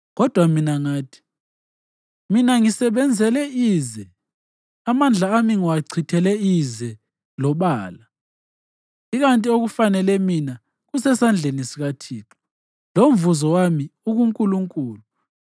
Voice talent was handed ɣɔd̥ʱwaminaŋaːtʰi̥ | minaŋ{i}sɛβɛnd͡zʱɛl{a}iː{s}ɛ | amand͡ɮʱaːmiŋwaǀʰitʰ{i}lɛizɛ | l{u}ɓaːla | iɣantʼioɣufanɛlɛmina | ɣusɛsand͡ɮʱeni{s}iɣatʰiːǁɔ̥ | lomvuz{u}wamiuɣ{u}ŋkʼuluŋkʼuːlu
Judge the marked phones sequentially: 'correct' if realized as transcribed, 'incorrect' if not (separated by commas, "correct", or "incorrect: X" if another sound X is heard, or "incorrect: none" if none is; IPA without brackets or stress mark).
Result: correct, incorrect: ɛ, incorrect: z, incorrect: ɛ, incorrect: ɔ, correct, incorrect: ɔ, correct